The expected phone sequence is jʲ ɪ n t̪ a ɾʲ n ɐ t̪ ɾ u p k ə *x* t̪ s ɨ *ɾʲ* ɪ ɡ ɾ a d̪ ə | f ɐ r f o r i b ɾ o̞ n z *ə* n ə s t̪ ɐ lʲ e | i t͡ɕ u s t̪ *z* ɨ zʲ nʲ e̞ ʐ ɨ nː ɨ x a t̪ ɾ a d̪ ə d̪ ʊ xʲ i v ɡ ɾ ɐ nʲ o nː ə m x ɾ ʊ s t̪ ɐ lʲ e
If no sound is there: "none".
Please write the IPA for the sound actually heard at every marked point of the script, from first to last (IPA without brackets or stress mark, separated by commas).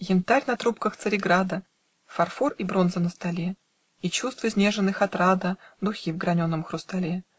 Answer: x, ɾʲ, ə, v